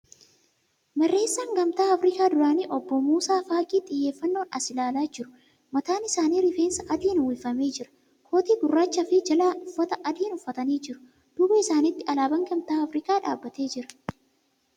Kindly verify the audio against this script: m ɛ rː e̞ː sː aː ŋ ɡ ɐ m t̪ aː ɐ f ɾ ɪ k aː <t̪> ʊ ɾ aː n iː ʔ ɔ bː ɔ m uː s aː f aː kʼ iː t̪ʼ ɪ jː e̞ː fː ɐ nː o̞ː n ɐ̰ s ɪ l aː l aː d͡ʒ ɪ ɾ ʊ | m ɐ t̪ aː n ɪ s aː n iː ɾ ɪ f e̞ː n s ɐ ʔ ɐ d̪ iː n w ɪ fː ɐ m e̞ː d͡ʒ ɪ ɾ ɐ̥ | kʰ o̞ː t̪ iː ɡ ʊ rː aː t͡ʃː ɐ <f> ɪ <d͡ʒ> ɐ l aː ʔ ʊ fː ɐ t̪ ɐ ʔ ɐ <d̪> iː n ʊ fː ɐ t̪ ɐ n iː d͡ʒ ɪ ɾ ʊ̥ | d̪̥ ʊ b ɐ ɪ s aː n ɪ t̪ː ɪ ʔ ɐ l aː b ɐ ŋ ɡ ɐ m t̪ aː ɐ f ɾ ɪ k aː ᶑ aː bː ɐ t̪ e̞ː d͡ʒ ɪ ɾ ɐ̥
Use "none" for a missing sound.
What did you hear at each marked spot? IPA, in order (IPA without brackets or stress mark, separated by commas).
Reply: d̪, f, d͡ʒ, d̪